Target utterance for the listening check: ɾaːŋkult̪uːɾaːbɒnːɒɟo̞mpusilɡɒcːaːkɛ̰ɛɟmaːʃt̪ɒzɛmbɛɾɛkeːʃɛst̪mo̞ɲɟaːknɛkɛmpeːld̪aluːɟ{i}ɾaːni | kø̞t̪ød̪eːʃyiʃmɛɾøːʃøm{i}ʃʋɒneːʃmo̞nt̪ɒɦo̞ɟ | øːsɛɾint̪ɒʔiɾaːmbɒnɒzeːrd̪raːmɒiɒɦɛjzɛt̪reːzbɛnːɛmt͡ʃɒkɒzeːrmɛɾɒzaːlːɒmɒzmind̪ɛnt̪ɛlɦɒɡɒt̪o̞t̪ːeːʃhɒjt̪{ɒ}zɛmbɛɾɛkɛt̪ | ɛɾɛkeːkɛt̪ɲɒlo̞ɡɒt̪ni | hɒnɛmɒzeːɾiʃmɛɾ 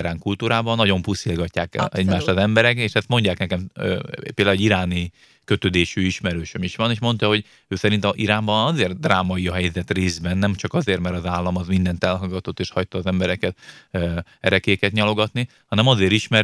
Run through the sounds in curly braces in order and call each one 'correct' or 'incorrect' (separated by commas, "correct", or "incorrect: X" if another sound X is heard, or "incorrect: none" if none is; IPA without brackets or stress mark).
correct, correct, incorrect: ɒː